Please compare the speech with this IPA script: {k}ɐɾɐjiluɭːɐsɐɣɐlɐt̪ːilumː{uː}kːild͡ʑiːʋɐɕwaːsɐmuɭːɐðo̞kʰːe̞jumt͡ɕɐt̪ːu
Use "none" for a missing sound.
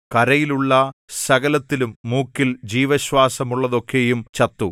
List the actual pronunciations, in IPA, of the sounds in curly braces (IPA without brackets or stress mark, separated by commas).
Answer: k, uː